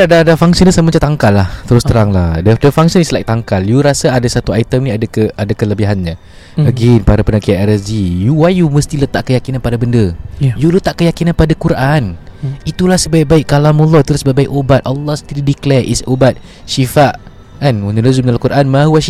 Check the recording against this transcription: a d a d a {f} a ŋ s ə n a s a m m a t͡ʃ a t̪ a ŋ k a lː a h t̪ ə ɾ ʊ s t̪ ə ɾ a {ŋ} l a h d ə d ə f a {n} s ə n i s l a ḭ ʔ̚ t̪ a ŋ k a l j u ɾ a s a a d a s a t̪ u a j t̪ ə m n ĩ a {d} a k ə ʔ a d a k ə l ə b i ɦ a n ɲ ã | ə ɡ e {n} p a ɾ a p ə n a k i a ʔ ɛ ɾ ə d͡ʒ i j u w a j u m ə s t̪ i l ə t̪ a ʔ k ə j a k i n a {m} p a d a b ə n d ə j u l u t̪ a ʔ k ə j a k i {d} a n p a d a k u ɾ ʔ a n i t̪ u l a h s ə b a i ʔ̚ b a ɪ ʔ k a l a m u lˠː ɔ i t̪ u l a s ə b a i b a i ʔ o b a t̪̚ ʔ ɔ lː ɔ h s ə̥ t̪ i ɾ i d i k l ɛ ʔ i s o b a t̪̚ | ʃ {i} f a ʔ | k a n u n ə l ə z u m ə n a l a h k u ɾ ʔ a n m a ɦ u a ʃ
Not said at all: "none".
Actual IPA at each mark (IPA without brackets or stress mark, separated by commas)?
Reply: f, ŋ, ŋ, d, n, n, n, i